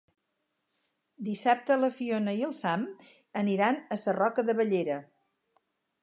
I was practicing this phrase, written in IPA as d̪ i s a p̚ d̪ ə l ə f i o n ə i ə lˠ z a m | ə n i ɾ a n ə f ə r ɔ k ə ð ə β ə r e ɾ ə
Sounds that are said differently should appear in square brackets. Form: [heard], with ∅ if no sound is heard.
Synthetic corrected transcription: d̪ i s a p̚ [t̪] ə l ə f i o n ə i ə lˠ [s] a m | ə n i ɾ a n ə [s] ə r ɔ k ə ð ə β ə [ʎ] e ɾ ə